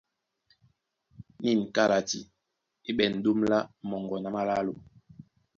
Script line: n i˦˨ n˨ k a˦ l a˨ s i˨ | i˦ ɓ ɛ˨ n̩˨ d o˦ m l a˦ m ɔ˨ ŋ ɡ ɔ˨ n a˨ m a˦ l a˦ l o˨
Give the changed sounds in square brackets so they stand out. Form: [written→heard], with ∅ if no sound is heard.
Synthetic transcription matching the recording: n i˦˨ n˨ k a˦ l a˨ [s→t] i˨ | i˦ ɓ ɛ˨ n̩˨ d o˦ m l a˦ m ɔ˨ ŋ ɡ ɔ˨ n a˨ m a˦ l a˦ l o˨

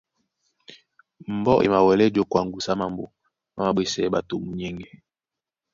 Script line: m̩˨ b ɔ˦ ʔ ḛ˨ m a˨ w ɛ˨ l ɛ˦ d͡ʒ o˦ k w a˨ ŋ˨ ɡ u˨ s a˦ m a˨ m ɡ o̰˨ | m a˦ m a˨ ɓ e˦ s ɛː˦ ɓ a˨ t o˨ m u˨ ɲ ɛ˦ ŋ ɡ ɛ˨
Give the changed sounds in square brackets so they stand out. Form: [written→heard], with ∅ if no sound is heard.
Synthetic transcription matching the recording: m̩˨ b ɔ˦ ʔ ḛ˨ m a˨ w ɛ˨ l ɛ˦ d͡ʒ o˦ k w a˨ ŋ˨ ɡ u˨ s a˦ m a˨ m [ɡ→b] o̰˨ | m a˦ m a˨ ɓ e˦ s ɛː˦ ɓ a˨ t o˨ m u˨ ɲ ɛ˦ ŋ ɡ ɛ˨

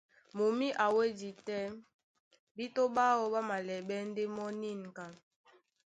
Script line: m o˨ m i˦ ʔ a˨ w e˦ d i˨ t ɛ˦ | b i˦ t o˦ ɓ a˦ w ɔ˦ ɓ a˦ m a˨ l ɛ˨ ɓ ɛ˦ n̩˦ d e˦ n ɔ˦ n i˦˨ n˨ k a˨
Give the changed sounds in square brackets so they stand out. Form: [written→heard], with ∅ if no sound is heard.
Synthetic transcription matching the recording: m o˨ m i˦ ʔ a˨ w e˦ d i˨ t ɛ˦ | b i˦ t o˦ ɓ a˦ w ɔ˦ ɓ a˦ m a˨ l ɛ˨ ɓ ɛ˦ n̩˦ d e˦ [n→m] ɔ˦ n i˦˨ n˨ k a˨

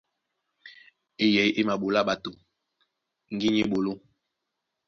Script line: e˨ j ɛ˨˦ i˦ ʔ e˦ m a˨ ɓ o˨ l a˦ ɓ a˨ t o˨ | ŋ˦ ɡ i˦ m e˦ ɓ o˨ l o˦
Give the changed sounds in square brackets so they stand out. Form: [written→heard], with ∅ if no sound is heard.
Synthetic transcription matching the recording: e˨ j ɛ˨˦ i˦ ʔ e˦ m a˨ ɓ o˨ l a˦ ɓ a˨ t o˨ | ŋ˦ ɡ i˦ [m→ɲ] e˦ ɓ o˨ l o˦

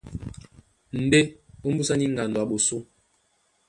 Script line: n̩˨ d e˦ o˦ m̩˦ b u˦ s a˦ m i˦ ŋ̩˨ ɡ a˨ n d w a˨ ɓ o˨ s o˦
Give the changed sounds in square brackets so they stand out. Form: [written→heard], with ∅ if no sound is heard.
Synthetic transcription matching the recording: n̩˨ d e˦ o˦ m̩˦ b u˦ s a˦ [m→n] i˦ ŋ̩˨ ɡ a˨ n d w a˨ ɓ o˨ s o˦

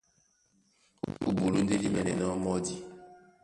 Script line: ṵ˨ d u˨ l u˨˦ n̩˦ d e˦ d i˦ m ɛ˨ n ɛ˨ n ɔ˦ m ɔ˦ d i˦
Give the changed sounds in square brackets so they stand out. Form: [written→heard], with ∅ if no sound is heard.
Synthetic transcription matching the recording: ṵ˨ [d→b] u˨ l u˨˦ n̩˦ d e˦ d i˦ m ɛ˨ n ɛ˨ n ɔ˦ m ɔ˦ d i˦

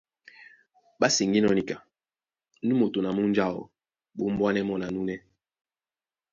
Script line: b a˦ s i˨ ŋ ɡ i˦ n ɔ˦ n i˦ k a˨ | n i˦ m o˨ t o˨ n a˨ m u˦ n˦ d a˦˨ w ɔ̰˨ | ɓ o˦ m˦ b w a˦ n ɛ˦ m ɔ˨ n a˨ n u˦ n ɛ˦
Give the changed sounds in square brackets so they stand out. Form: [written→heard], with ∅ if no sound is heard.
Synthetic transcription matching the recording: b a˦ s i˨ ŋ ɡ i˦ n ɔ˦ n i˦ k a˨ | n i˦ m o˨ t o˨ n a˨ m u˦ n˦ [d→d͡ʒ] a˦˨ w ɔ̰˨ | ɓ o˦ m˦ b w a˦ n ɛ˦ m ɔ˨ n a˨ n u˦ n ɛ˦

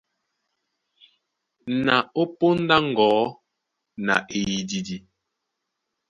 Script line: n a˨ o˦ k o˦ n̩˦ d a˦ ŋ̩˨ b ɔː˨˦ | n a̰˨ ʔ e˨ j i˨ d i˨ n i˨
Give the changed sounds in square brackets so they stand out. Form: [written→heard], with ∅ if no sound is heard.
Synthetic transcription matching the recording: n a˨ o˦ [k→p] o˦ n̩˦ d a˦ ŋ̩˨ [b→ɡ] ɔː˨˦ | n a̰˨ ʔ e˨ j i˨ d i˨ [n→d] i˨

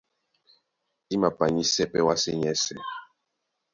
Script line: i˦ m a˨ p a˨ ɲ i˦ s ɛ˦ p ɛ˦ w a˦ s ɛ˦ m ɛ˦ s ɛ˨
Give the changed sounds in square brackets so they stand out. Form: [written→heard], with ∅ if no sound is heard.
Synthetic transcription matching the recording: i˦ m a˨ p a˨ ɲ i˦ s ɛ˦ p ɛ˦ w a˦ s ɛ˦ [m→ɲ] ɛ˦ s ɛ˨

